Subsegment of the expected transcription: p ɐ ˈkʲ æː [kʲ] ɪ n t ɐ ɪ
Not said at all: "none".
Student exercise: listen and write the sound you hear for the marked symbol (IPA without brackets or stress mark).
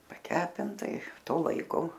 pʲ